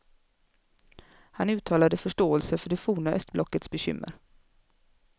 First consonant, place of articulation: glottal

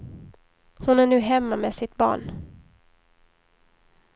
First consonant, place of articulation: glottal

